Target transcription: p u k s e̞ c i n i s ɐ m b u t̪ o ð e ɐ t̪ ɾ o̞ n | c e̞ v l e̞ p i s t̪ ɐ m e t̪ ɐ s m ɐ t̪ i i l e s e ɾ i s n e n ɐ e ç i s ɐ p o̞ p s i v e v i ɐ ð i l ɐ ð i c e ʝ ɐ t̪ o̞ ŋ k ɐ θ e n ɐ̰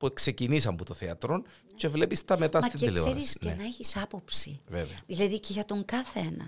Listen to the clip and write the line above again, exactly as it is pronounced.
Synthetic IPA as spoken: p u k s e̞ c i n i s ɐ m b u t̪ o θ e ɐ t̪ ɾ o̞ n | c e̞ v l e̞ p i s t̪ ɐ m e t̪ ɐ s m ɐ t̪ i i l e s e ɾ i s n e n ɐ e ç i s ɐ p o̞ p s i v e v e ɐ ð i l ɐ ð i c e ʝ ɐ t̪ o̞ ŋ k ɐ θ e n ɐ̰